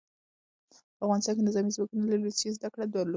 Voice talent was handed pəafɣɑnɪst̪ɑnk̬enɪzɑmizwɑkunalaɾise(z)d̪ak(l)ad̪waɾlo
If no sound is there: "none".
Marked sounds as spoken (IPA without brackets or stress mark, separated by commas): z, ɽ